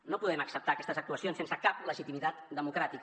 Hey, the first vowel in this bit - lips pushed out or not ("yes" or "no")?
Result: yes